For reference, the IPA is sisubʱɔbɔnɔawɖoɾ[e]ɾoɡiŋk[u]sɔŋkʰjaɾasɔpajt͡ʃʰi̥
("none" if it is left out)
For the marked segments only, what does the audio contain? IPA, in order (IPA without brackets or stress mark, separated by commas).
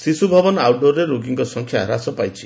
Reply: e, ɔ